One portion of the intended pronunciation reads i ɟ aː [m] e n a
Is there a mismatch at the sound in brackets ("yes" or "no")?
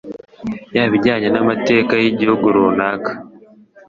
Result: yes